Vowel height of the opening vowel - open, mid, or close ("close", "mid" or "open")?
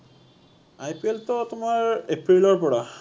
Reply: open